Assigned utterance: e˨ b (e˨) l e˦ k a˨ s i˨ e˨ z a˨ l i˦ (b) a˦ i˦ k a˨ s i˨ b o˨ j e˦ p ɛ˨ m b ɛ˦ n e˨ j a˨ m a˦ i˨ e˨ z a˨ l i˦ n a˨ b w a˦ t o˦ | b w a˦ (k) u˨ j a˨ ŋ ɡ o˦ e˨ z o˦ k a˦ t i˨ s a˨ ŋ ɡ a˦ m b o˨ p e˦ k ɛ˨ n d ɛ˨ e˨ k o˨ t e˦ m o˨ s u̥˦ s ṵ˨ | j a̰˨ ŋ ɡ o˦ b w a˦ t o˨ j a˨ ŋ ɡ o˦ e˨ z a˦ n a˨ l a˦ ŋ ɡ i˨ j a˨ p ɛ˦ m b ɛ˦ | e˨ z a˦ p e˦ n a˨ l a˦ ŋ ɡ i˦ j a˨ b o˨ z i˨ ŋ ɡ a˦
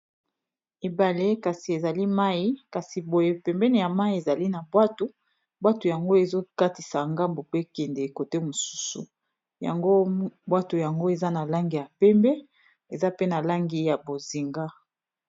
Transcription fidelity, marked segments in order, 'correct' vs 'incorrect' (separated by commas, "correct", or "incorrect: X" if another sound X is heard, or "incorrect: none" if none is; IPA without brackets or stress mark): incorrect: a˨, incorrect: m, incorrect: t